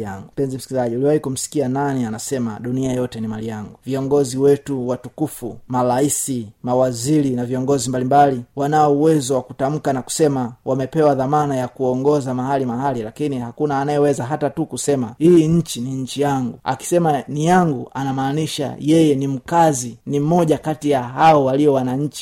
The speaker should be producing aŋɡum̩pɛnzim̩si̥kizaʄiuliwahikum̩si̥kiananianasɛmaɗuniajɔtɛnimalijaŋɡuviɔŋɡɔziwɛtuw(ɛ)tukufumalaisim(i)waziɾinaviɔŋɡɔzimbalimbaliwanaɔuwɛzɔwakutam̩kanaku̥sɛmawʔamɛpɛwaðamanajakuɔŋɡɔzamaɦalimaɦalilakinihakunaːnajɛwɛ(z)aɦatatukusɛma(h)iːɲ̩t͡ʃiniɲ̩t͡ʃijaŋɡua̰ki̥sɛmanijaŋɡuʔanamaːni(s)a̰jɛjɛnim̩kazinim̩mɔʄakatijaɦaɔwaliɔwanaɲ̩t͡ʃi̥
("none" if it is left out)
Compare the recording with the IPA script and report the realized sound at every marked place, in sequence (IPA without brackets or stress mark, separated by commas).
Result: a, a, z, h, ʃ